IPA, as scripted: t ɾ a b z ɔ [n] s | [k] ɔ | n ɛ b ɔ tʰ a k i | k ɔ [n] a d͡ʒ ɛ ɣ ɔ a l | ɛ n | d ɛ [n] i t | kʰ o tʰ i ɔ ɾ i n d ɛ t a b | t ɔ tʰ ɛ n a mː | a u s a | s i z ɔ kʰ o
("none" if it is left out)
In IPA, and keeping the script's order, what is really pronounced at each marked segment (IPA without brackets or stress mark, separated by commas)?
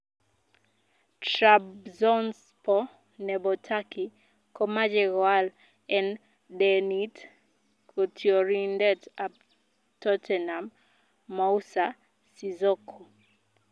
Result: n, p, m, n